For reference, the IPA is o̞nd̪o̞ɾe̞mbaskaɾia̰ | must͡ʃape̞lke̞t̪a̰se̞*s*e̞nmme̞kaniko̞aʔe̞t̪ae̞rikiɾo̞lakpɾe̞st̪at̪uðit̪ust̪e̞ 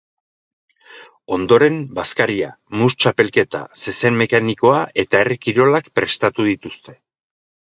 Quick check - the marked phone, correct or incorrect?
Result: correct